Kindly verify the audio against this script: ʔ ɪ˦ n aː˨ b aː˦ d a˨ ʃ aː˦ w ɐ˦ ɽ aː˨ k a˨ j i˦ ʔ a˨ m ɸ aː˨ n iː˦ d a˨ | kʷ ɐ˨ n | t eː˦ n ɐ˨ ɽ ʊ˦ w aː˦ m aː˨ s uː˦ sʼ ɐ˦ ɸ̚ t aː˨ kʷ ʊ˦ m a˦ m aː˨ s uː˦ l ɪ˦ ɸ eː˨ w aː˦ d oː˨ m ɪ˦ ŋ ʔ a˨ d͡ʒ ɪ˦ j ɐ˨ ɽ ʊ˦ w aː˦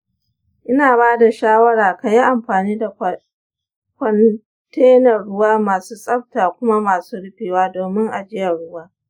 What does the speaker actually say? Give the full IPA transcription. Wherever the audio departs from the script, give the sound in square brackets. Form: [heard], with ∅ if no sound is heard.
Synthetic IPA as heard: ʔ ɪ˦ n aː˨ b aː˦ d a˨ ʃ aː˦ w ɐ˦ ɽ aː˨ k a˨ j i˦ ʔ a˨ m ɸ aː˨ n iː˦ d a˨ | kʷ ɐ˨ n | t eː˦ n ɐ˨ ɽ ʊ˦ w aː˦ m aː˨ s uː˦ sʼ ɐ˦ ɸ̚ t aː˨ kʷ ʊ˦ m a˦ m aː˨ s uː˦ [ɽ] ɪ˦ ɸ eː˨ w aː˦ d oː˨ m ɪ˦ ŋ ʔ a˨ d͡ʒ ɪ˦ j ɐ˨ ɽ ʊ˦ w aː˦